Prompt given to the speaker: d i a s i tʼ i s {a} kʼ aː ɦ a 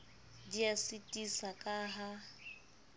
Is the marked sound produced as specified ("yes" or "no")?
yes